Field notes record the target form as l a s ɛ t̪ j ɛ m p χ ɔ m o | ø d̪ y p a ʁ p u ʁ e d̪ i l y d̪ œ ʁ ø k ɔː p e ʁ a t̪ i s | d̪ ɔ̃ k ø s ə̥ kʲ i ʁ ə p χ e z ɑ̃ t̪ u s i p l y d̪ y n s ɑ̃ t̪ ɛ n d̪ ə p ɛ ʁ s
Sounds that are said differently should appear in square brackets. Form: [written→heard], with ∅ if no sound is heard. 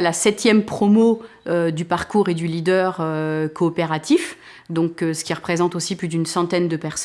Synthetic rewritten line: l a s ɛ t̪ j ɛ m p χ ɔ m o | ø d̪ y p a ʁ [p→k] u ʁ e d̪ [i→y] l [y→i] d̪ œ ʁ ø k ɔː p e ʁ a t̪ i [s→f] | d̪ ɔ̃ k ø s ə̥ kʲ i ʁ ə p χ e z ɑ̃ t̪ [u→o] s i p l y d̪ y n s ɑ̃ t̪ ɛ n d̪ ə p ɛ ʁ s